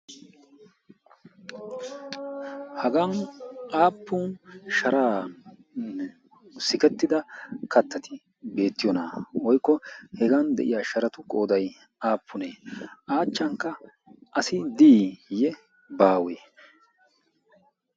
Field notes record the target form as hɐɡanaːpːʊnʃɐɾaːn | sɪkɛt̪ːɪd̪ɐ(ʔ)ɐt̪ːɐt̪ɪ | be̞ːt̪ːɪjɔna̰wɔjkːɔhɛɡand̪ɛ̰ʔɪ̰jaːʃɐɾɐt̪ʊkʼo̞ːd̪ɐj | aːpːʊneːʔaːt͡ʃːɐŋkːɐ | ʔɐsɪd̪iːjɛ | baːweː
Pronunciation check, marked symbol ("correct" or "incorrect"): incorrect